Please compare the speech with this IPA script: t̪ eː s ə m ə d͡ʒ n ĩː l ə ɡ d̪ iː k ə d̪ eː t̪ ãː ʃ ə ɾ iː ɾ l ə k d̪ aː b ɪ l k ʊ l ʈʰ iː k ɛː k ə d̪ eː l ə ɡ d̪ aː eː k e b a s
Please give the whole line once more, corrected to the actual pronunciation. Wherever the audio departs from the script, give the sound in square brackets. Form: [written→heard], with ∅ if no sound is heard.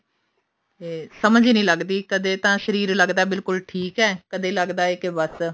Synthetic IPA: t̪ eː s ə m ə d͡ʒ n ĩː l ə ɡ d̪ iː k ə d̪ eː t̪ ãː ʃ ə ɾ iː ɾ l ə [k→ɡ] d̪ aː b ɪ l k ʊ l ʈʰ iː k ɛː k ə d̪ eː l ə ɡ d̪ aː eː k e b [a→ə] s